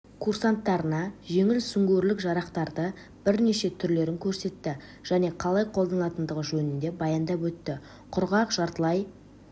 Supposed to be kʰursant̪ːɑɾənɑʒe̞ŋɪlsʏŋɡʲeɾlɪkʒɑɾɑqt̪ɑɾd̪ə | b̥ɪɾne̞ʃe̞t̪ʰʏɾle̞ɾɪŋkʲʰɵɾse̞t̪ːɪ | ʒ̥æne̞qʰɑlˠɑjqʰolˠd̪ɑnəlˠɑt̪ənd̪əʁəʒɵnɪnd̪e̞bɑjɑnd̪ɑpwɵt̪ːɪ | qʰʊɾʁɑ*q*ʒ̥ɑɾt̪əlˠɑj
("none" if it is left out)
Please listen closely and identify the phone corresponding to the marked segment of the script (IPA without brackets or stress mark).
q